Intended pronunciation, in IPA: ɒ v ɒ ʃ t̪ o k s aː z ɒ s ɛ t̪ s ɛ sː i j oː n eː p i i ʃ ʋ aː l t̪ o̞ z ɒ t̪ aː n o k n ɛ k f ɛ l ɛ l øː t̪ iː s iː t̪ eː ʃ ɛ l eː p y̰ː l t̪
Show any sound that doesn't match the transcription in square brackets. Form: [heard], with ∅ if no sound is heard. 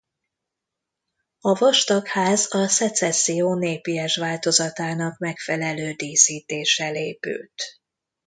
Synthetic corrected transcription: ɒ v ɒ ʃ t̪ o k [h] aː z ɒ s ɛ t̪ s ɛ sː i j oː n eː p i [ɛ] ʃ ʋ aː l t̪ o̞ z ɒ t̪ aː n [ɒ] k [m] ɛ k f ɛ l ɛ l øː [d̪] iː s iː t̪ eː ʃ ɛ l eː p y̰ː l t̪